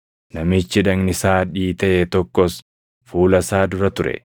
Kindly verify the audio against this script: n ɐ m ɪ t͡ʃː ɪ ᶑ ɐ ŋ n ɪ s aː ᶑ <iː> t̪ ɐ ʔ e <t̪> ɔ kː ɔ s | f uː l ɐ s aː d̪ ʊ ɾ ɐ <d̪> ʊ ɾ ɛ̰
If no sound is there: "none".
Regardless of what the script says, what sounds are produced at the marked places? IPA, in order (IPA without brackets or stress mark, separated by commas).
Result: iː, t̪, t̪